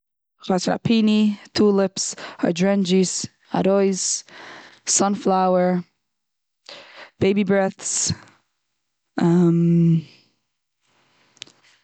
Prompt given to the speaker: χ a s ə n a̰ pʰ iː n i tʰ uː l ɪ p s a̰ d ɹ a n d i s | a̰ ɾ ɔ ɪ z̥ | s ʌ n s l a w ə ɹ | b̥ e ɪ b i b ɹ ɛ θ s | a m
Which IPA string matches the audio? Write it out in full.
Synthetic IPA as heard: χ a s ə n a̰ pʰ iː n i tʰ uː l ɪ p s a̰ d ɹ ɛ n d͡ʒ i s | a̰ ɾ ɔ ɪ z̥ | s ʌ n f l a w ə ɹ | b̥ e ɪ b i b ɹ ɛ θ s | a m